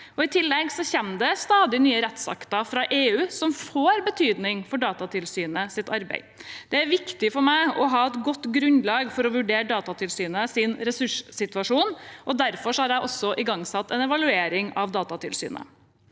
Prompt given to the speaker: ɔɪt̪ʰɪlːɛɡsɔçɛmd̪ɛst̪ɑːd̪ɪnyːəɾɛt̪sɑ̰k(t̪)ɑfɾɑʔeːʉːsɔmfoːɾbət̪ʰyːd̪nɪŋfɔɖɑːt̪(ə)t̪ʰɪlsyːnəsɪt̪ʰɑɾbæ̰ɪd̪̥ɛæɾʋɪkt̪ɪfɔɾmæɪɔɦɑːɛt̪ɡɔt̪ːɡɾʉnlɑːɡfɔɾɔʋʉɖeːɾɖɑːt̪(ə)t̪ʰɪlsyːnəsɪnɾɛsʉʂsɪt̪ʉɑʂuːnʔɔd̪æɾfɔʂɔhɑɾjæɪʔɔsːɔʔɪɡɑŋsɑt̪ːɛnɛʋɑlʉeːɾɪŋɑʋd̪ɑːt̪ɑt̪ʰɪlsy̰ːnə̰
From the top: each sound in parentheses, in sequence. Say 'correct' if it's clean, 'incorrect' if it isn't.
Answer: correct, incorrect: ɑ, incorrect: ɑ

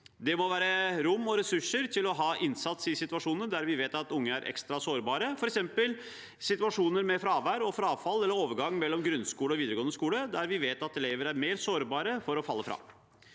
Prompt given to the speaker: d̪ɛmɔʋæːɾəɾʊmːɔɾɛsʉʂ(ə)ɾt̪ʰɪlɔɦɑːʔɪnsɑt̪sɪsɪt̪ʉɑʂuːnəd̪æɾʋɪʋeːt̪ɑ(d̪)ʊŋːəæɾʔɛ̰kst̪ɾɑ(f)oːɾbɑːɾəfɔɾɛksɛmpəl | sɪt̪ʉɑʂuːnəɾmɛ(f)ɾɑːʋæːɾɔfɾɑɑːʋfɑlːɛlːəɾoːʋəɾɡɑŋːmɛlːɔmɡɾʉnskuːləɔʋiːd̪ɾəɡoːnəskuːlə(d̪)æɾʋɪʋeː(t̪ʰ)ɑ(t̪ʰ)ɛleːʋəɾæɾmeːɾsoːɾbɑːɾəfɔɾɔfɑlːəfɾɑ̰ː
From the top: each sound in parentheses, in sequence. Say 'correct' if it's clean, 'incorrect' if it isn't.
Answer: correct, incorrect: t̪, incorrect: s, correct, correct, incorrect: t̪, incorrect: t̪

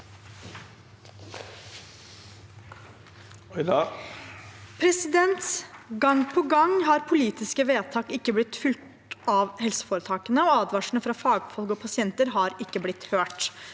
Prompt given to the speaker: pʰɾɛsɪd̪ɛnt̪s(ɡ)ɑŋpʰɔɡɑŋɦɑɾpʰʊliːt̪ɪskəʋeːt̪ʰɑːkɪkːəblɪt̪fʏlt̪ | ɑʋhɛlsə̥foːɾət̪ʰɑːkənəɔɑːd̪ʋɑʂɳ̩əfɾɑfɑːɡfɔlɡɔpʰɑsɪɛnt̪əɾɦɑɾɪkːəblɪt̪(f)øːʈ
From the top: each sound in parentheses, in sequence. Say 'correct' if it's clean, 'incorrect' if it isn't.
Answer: correct, incorrect: h

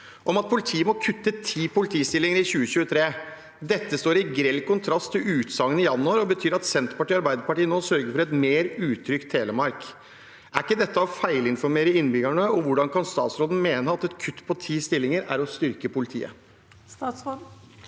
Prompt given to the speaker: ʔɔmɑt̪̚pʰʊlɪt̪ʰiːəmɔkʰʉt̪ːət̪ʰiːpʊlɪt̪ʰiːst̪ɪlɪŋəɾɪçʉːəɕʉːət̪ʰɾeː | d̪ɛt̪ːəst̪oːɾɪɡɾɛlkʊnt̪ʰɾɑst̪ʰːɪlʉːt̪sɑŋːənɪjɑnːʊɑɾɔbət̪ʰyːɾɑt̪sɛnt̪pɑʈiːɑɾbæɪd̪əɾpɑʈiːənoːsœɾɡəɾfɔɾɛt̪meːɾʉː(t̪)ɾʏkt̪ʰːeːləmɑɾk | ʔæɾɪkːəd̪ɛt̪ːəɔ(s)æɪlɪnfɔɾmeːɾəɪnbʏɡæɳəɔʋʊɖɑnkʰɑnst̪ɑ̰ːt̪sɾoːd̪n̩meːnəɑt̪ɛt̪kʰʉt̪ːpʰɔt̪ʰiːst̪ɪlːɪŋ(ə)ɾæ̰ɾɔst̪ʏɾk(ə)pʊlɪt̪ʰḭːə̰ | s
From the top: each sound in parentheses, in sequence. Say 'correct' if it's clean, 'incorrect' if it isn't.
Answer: incorrect: t̪ʰ, incorrect: f, correct, correct

